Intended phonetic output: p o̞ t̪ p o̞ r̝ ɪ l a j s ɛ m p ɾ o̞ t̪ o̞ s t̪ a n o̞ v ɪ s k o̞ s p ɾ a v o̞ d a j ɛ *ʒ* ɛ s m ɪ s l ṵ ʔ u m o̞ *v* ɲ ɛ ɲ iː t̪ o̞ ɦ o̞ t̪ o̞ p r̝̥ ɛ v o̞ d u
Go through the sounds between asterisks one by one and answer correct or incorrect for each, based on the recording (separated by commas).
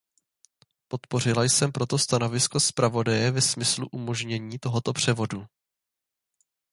incorrect, incorrect